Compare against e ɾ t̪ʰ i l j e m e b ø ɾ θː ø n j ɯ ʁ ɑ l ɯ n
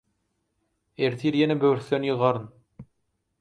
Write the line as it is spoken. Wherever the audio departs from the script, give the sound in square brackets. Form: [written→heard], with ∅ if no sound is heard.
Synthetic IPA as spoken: e ɾ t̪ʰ i [l→ɾ] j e [m→n] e b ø ɾ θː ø n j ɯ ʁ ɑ [l→ɾ] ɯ n